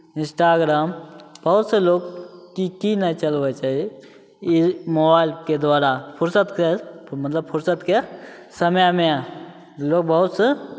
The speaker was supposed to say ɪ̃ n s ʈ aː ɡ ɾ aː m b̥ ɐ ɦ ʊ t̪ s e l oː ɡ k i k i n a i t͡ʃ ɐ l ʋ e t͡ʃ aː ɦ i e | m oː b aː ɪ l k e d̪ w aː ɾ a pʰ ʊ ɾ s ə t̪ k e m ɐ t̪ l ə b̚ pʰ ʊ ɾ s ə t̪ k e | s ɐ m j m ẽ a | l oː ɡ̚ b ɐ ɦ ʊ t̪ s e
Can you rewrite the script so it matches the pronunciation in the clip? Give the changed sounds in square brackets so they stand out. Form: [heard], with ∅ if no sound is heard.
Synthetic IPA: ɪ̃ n s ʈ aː ɡ ɾ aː m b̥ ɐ ɦ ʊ t̪ s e l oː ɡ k i k i n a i t͡ʃ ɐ l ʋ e t͡ʃ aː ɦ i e | m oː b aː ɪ l k e d̪ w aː ɾ a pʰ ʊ ɾ s ə t̪ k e m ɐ t̪ l ə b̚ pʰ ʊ ɾ s ə t̪ k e | s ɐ m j m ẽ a | l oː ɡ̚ b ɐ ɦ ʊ t̪ s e